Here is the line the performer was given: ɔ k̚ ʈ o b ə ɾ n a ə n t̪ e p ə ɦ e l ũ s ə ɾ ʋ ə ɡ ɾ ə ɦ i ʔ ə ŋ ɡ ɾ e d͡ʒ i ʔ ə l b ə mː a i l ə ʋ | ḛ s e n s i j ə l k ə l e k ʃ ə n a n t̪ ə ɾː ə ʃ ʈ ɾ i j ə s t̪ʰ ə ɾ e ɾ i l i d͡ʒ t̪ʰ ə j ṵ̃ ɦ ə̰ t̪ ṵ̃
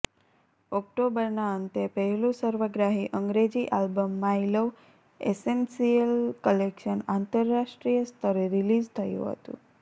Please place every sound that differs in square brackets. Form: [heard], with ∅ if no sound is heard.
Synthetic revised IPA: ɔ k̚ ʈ o b ə ɾ n a ə n t̪ e p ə ɦ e l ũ s ə ɾ ʋ ə ɡ ɾ [a] ɦ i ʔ ə ŋ ɡ ɾ e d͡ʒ i ʔ [a] l b ə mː a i l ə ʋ | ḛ s e n s i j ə l k ə l e k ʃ ə n a n t̪ ə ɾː [a] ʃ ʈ ɾ i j ə s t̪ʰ ə ɾ e ɾ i l i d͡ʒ t̪ʰ ə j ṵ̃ ɦ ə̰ t̪ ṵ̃

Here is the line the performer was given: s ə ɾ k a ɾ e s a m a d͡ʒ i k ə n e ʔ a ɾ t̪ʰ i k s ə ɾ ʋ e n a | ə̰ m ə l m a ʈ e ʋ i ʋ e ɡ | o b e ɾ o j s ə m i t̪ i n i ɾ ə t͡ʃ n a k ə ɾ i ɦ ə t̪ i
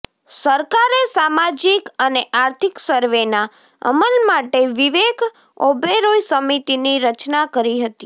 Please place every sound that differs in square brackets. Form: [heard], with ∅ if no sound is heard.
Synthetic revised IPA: s ə ɾ k a ɾ e s a m a d͡ʒ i k ə n e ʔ a ɾ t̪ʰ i k s ə ɾ ʋ e n a | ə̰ m ə l m a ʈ e ʋ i ʋ e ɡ | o b e ɾ o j s ə m i t̪ i n i ɾ ə t͡ʃ n a k ə ɾ i ɦ ə t̪ i

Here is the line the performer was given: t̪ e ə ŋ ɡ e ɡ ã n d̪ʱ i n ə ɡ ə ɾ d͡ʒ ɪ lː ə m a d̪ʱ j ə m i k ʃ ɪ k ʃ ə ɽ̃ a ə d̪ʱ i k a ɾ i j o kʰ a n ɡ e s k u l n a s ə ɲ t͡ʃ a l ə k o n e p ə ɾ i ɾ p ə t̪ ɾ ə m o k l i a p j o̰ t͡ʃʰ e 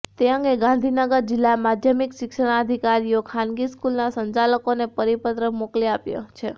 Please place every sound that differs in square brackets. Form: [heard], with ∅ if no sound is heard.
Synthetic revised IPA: t̪ e ə ŋ ɡ e ɡ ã n d̪ʱ i n ə ɡ ə ɾ d͡ʒ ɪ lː [a] m a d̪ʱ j ə m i k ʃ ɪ k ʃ ə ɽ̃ a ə d̪ʱ i k a ɾ i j o kʰ a n ɡ [i] s k u l n a s ə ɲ t͡ʃ a l ə k o n e p ə ɾ i [∅] p ə t̪ ɾ ə m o k l i a p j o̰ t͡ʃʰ e

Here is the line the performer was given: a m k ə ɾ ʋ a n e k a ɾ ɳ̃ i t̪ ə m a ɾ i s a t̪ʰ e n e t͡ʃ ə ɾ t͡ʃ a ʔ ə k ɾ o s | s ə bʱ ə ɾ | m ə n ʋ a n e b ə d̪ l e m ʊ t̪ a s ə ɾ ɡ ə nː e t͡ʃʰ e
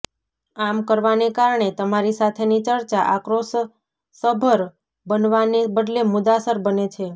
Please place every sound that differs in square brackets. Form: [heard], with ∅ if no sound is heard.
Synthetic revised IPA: a m k ə ɾ ʋ a n e k a ɾ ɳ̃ [e] t̪ ə m a ɾ i s a t̪ʰ e n [i] t͡ʃ ə ɾ t͡ʃ a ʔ [a] k ɾ o s | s ə bʱ ə ɾ | [b] ə n ʋ a n e b ə d̪ l e m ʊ [d̪] a s ə ɾ [b] ə [n] e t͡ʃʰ e

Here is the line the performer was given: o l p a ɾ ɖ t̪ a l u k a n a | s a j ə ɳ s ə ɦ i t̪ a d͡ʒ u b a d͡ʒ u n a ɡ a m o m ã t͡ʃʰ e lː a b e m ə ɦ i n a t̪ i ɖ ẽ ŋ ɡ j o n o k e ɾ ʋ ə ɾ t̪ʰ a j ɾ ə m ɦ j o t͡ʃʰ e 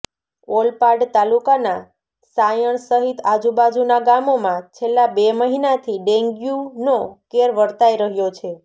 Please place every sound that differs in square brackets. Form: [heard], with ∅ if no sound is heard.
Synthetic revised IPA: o l p a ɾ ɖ t̪ a l u k a n a | s a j ə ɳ s ə ɦ i t̪ a d͡ʒ u b a d͡ʒ u n a ɡ a m o m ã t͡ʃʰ e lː a b e m ə ɦ i n a [t̪ʰ] i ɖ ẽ ŋ ɡ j [u] n o k e ɾ ʋ ə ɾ [t̪] a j ɾ ə [∅] ɦ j o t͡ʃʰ e

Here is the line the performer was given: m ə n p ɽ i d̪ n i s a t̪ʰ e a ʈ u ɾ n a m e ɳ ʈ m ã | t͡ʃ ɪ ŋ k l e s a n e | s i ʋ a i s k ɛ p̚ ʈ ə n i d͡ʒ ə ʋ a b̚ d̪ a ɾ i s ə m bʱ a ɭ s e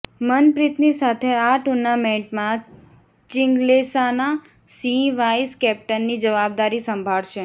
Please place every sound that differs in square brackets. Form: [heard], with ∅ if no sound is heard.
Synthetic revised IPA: m ə n p [ɾ] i [t̪] n i s a t̪ʰ e a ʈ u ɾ n a m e ɳ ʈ m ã | t͡ʃ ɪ ŋ [ɡ] l e s a n [a] | s i ʋ a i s k ɛ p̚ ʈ ə [nː] i d͡ʒ ə ʋ a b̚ d̪ a ɾ i s ə m bʱ a ɭ [ʃ] e

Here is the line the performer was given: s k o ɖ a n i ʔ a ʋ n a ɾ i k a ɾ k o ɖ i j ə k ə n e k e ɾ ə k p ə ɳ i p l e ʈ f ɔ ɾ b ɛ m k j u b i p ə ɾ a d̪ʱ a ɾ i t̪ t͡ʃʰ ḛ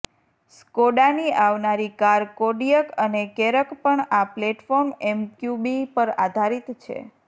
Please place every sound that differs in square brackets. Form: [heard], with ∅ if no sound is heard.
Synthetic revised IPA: s k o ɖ a n i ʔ a ʋ n a ɾ i k a ɾ k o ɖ i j ə k ə n e k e ɾ ə k p ə ɳ [a] p l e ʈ f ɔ ɾ [m] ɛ m k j u b i p ə ɾ a d̪ʱ a ɾ i t̪ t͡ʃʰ ḛ

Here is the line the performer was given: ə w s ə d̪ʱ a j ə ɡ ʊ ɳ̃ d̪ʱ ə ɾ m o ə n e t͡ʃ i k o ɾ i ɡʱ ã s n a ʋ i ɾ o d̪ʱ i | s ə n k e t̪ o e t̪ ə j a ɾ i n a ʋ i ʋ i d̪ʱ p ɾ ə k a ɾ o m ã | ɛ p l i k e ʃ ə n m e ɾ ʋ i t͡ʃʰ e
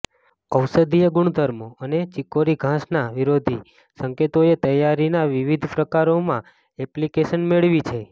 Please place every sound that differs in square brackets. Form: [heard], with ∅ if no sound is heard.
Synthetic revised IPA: ə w s ə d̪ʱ [i] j ə ɡ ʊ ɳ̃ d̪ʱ ə ɾ m o ə n e t͡ʃ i k o ɾ i ɡʱ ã s n a ʋ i ɾ o d̪ʱ i | s ə [ŋ] k e t̪ o e t̪ ə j a ɾ i n a ʋ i ʋ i d̪ʱ p ɾ ə k a ɾ o m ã | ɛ p l i k e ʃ ə n m e [ɭ] ʋ i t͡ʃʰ e

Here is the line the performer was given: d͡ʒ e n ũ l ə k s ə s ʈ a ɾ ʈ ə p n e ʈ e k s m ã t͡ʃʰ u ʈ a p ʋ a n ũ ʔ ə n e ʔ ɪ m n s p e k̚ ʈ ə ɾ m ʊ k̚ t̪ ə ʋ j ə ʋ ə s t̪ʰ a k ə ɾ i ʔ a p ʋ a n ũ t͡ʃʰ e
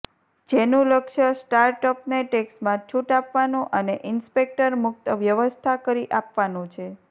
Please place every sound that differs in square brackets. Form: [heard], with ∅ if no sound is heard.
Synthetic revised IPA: d͡ʒ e n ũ l ə k [ʃ] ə s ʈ a ɾ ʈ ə p n e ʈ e k s m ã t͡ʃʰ u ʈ a p ʋ a n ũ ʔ ə n e ʔ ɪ [∅] n s p e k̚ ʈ ə ɾ m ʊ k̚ t̪ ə ʋ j ə ʋ ə s t̪ʰ a k ə ɾ i ʔ a p ʋ a n ũ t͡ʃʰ e

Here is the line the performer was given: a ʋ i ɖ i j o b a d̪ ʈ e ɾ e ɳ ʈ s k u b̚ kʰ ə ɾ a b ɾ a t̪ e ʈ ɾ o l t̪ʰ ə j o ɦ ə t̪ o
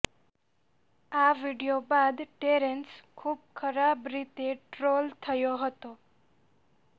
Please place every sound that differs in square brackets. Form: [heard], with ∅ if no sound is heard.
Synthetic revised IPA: a ʋ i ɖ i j o b a d̪ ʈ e ɾ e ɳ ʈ s [kʰ] u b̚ kʰ ə ɾ a b ɾ [i] t̪ e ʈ ɾ o l t̪ʰ ə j o ɦ ə t̪ o

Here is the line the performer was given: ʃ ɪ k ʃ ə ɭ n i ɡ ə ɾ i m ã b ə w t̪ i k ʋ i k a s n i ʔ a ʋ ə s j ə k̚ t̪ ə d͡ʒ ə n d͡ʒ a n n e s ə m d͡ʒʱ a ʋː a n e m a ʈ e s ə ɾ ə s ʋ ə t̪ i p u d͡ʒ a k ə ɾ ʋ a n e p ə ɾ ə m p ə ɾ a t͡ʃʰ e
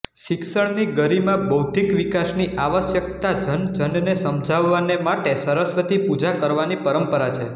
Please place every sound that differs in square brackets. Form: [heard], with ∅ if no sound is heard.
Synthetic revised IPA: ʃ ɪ k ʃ ə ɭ n i ɡ ə ɾ i m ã b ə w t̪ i k ʋ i k a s n i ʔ a ʋ ə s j ə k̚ t̪ [a] d͡ʒ ə n d͡ʒ [ə] n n e s ə m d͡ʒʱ a ʋː a n e m a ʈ e s ə ɾ ə s ʋ ə t̪ i p u d͡ʒ a k ə ɾ ʋ a n [i] p ə ɾ ə m p ə ɾ a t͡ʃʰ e

